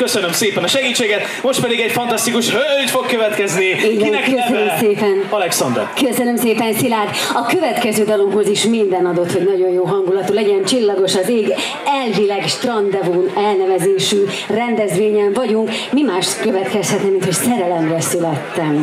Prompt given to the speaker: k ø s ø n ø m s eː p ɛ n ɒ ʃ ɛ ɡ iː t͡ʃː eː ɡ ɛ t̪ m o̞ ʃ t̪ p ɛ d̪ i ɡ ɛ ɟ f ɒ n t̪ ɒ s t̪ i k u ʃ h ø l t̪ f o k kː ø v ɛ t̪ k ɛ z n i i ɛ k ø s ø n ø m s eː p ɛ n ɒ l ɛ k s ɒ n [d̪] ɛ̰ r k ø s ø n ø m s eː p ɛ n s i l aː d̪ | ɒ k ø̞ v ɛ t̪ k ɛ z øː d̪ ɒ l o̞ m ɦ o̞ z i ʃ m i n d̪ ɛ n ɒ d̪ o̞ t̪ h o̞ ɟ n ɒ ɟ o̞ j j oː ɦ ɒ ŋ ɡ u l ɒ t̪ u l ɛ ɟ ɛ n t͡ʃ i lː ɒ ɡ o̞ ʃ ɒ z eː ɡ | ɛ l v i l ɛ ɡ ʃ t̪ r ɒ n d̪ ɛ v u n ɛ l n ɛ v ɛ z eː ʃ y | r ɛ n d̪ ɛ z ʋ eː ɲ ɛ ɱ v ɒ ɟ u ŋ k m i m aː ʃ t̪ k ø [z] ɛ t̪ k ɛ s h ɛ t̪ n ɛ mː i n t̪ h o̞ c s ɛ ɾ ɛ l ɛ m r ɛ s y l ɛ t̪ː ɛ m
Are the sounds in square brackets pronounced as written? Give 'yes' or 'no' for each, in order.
yes, no

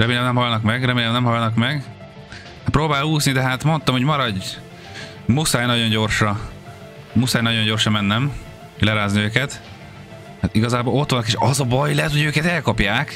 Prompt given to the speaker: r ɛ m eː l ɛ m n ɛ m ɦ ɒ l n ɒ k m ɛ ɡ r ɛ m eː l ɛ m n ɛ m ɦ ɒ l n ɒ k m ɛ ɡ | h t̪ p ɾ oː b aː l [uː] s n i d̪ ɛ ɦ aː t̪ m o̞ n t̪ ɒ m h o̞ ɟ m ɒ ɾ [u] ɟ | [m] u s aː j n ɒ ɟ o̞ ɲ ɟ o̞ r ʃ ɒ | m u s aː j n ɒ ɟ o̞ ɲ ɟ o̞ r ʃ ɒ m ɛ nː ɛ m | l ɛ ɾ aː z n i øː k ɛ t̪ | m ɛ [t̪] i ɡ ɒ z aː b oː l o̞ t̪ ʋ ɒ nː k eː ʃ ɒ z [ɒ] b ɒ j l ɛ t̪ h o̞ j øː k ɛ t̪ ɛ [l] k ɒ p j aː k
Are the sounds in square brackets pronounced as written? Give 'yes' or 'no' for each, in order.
yes, no, yes, yes, yes, yes

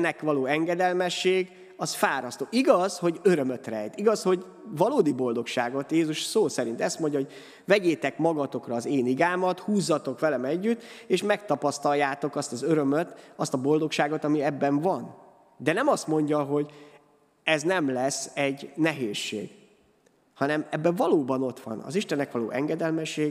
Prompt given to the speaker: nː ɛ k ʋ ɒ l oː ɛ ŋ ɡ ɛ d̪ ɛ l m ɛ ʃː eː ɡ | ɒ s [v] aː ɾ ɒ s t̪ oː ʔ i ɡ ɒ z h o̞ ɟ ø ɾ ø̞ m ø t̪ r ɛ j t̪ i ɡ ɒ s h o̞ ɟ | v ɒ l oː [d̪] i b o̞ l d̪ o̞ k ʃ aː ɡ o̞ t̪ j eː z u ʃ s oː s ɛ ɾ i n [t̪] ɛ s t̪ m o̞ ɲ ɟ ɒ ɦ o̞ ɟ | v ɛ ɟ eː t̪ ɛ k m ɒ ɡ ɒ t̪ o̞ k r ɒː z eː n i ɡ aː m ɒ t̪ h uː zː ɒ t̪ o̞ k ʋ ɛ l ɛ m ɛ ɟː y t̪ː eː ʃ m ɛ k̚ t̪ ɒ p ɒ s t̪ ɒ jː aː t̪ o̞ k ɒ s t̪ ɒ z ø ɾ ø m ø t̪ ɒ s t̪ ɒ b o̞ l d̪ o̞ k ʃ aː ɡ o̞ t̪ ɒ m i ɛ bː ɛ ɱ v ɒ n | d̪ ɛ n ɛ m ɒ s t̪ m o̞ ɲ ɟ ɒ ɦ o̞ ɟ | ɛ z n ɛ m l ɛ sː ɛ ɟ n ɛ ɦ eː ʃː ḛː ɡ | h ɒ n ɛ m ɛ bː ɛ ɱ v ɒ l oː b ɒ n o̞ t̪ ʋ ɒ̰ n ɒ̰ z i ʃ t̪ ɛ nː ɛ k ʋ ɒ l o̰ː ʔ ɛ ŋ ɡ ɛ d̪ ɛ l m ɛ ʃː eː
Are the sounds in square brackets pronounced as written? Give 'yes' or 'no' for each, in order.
no, yes, yes

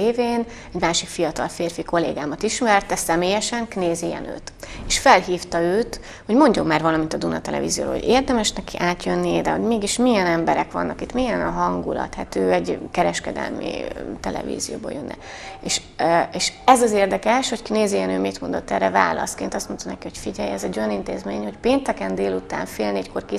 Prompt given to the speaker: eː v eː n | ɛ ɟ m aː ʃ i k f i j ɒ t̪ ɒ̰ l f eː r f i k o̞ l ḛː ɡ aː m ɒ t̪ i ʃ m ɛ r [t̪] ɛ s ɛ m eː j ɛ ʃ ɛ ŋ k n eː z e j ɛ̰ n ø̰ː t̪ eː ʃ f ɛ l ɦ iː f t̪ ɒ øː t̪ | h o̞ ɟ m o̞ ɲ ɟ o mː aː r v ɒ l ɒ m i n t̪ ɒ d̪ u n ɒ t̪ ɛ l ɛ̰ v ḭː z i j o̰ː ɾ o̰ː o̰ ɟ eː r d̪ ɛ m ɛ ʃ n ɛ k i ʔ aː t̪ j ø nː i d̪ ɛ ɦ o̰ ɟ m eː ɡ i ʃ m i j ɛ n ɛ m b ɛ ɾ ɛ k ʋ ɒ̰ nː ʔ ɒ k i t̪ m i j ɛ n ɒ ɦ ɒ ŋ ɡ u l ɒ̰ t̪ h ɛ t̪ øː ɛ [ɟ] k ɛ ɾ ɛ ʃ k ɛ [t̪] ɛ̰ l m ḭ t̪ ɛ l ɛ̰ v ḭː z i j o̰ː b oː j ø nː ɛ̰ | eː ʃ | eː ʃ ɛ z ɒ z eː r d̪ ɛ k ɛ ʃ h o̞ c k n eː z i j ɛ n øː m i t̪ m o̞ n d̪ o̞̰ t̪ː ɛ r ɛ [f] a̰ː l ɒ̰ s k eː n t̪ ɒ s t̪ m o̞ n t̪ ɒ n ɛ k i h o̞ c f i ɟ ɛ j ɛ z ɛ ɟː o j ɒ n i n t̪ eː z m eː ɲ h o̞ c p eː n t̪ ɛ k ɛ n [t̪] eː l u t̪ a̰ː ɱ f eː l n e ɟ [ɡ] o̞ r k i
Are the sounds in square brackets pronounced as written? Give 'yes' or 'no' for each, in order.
yes, yes, no, no, no, no

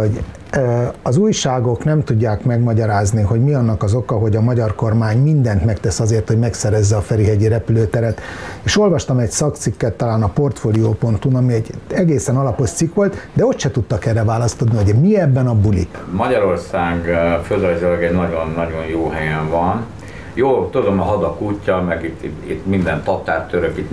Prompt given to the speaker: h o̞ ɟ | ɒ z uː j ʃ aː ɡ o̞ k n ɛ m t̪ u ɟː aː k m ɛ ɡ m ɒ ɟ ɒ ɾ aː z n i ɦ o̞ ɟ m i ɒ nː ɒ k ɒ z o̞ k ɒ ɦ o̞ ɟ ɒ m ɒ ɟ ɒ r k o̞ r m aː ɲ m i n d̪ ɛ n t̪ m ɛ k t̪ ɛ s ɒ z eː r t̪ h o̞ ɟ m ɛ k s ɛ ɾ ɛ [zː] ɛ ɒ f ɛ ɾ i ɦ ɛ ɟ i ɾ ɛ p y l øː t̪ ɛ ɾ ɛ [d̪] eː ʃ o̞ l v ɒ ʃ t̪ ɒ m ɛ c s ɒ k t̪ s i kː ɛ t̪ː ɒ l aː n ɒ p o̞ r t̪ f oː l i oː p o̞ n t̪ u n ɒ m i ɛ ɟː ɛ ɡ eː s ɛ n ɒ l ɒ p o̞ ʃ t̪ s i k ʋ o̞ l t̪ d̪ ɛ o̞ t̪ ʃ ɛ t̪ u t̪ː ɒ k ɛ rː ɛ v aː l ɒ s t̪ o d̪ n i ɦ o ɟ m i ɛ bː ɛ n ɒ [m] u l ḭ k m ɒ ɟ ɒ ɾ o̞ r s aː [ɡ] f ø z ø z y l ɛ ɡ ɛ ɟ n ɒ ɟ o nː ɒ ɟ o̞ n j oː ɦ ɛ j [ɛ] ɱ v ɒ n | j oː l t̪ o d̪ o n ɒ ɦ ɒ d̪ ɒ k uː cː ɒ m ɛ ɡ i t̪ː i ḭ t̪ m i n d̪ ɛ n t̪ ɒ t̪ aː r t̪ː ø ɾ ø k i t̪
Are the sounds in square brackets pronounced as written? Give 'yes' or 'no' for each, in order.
yes, no, no, yes, yes

